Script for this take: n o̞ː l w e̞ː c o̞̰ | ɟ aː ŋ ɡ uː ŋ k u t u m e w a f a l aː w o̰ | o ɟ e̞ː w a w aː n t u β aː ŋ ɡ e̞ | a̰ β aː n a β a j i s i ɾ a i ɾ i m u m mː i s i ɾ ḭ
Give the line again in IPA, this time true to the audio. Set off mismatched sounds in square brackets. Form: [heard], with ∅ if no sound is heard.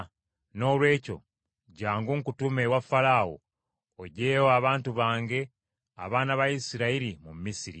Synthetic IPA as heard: n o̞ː l w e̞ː c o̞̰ | ɟ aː ŋ ɡ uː ŋ k u t u m e w a f a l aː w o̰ | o ɟ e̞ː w a [β] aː n t u β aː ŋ ɡ e̞ | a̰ β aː n a β a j i s i ɾ a i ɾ i m u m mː i s i ɾ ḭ